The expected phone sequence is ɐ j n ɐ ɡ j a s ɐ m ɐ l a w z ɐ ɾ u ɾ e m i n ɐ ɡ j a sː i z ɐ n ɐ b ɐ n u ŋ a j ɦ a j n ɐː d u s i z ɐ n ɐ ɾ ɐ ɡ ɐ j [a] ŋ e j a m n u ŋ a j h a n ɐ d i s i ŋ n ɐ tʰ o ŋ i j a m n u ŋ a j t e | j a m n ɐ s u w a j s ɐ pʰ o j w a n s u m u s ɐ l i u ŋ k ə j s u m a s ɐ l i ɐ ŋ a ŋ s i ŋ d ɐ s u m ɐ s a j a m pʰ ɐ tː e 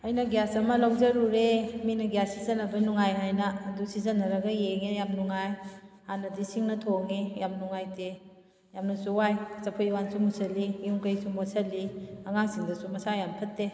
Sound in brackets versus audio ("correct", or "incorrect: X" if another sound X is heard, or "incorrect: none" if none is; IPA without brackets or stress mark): incorrect: e